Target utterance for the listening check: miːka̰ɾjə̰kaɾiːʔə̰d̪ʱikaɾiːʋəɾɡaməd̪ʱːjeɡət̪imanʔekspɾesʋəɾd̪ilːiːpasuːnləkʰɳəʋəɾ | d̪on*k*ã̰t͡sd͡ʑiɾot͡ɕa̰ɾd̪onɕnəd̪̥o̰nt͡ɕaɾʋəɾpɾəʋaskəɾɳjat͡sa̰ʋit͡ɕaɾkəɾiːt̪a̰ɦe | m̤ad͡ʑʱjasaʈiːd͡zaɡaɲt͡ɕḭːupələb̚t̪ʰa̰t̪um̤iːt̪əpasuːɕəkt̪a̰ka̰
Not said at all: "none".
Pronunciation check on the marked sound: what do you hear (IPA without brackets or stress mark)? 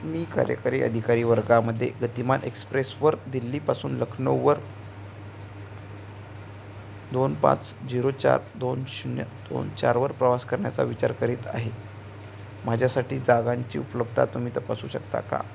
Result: p